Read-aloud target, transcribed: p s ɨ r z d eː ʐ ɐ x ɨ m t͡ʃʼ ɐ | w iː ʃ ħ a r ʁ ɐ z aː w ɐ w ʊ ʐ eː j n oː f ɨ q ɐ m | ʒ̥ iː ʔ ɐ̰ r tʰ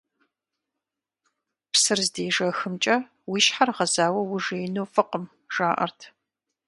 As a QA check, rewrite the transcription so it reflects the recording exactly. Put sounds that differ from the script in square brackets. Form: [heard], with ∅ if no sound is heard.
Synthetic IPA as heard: p s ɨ r z d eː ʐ ɐ x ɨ m t͡ʃʼ ɐ | w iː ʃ ħ a r ʁ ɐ z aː w ɐ w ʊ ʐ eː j n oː f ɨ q [ə] m | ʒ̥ [aː] ʔ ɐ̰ r tʰ